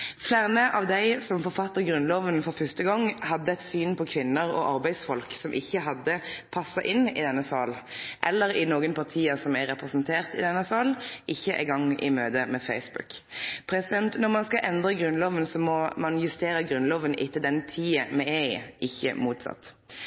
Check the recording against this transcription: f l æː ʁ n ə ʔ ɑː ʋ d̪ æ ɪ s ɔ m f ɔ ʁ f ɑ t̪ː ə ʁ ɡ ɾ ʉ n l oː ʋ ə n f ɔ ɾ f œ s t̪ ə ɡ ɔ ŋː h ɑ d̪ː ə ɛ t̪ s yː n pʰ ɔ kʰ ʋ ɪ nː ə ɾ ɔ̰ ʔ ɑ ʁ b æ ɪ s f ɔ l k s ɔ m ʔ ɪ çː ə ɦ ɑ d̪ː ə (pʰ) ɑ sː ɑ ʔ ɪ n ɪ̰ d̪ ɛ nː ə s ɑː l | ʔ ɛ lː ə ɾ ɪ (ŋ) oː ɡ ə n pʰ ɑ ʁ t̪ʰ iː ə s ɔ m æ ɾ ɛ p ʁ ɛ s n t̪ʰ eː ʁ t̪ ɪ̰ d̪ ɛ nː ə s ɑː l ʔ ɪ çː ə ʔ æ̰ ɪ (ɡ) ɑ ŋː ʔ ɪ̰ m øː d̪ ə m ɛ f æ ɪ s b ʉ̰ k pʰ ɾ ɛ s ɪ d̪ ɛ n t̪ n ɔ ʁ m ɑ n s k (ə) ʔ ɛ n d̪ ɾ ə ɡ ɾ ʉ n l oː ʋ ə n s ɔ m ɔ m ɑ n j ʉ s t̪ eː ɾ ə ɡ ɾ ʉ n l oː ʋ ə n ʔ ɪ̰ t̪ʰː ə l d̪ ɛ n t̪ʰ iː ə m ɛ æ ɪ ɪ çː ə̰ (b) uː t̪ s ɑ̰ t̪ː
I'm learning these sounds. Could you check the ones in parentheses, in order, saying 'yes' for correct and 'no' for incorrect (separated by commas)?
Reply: yes, no, yes, no, no